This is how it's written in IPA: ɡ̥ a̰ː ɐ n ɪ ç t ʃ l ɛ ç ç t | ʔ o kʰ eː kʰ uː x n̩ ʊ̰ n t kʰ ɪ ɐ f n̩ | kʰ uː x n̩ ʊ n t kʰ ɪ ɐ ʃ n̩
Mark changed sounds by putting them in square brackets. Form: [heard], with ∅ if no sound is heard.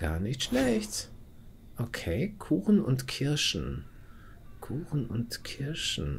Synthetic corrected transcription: ɡ̥ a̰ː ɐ n ɪ ç t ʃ l ɛ ç ç t | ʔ o kʰ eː kʰ uː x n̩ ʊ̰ n t kʰ ɪ ɐ [ʃ] n̩ | kʰ uː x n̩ ʊ n t kʰ ɪ ɐ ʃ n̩